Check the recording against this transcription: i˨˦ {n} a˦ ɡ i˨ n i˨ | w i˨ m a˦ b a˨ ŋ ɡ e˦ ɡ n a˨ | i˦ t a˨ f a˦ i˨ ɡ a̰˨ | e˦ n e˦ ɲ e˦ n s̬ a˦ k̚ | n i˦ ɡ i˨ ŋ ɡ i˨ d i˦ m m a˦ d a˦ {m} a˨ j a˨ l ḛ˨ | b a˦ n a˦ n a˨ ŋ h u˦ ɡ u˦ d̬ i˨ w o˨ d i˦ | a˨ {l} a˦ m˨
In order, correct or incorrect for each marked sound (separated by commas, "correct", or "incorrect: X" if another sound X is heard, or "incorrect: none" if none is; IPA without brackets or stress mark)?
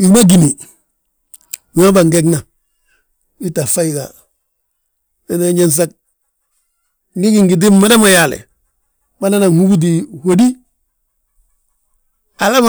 incorrect: m, correct, correct